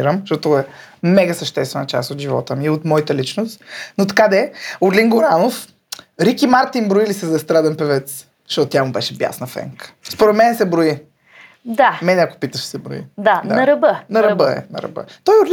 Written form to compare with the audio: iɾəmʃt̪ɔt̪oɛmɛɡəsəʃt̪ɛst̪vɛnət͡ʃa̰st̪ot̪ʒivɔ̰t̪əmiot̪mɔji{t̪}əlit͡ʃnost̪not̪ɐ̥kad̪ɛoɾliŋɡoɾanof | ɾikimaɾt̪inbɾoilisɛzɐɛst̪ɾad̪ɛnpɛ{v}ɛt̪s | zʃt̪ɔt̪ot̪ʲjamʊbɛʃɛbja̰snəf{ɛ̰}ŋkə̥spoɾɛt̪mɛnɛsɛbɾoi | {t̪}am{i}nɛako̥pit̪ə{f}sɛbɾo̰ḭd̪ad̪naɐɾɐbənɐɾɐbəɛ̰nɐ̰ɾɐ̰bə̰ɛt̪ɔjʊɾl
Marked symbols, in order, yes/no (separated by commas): yes, yes, yes, no, no, no